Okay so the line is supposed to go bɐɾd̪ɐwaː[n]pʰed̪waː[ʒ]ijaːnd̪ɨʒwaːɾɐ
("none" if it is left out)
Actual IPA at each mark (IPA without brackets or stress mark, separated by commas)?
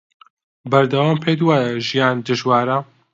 m, ʒ